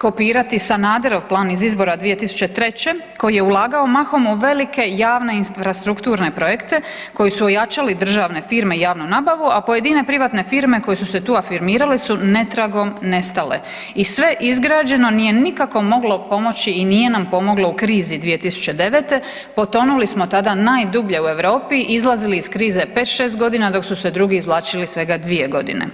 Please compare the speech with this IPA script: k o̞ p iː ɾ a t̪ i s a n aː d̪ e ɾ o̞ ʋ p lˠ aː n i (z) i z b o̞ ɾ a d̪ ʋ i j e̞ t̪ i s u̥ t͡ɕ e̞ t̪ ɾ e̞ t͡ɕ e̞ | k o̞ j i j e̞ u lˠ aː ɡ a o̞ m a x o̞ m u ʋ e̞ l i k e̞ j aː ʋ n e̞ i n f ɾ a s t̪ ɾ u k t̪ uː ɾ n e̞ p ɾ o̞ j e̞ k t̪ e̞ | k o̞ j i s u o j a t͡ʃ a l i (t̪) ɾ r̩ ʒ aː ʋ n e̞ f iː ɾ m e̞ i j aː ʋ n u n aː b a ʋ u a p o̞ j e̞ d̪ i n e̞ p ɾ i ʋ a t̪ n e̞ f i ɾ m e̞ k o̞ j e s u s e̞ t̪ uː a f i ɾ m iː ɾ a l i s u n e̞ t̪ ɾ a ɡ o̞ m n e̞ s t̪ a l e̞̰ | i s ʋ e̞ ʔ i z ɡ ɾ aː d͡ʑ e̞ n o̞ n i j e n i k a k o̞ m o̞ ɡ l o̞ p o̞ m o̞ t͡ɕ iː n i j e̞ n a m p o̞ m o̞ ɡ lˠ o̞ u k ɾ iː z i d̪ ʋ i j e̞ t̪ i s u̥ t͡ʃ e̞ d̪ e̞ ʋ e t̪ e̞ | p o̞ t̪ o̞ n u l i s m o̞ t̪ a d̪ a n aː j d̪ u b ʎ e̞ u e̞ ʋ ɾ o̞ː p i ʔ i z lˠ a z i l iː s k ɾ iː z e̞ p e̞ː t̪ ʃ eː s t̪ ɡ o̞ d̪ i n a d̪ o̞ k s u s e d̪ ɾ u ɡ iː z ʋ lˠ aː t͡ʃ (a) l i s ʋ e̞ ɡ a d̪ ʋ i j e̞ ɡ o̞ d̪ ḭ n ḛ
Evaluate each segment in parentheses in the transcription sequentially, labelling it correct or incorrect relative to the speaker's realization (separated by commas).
correct, incorrect, incorrect